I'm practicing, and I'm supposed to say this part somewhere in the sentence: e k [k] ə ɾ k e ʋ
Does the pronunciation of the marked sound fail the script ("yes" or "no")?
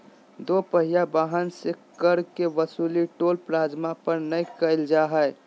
no